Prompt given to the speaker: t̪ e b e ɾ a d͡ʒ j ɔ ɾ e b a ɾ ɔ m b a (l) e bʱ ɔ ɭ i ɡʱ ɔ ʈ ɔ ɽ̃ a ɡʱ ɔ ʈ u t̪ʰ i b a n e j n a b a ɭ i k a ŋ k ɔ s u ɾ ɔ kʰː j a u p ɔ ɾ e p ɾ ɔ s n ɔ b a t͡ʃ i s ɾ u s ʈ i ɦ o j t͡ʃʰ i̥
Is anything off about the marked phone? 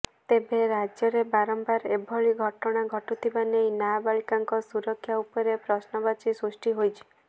yes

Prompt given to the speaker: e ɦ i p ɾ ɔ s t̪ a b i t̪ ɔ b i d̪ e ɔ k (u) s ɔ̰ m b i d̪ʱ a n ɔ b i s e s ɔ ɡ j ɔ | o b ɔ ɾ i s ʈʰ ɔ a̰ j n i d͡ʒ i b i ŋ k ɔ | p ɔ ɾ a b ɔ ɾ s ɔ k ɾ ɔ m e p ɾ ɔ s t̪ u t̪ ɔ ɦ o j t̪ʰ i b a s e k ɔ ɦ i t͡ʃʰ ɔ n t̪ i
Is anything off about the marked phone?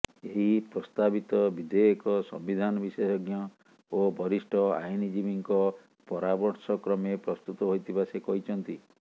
yes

